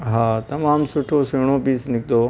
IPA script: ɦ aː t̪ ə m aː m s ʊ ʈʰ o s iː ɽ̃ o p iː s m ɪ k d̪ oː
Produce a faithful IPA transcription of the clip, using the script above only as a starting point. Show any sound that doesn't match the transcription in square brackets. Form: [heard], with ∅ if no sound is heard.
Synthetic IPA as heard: ɦ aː t̪ [ɐ] m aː m s ʊ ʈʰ o s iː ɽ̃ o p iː s [n] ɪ k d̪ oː